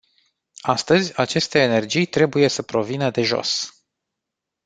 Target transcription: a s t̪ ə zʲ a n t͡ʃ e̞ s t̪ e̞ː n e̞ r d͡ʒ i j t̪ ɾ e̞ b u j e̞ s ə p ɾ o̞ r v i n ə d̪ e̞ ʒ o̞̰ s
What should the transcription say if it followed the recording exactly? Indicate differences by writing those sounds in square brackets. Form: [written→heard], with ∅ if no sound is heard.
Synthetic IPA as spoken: a s t̪ ə zʲ a [n→∅] t͡ʃ e̞ s t̪ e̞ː n e̞ r d͡ʒ i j t̪ ɾ e̞ b u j e̞ s ə p ɾ o̞ [r→∅] v i n ə d̪ e̞ ʒ o̞̰ s